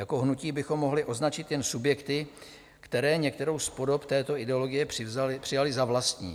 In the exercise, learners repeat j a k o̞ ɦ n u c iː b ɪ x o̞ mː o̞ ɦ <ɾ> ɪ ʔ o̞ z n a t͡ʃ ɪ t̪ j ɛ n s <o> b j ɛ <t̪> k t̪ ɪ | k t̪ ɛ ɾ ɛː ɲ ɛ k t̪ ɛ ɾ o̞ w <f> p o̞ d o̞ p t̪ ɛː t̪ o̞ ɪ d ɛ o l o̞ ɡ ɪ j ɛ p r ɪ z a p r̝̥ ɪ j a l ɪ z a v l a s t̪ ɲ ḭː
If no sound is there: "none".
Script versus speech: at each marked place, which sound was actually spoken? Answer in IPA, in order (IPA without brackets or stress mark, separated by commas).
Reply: l, u, none, s